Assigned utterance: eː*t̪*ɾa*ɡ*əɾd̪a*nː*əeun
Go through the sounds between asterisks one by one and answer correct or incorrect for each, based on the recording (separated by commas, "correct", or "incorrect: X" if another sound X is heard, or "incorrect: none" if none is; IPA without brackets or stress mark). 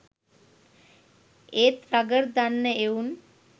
correct, correct, correct